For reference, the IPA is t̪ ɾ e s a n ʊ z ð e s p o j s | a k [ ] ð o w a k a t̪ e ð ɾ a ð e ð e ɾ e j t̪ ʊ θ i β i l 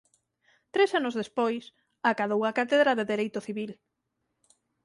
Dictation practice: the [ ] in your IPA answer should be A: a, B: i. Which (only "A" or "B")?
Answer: A